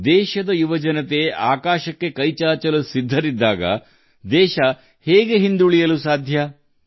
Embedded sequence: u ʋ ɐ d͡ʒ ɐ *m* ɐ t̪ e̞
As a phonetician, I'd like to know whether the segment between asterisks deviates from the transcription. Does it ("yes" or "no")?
yes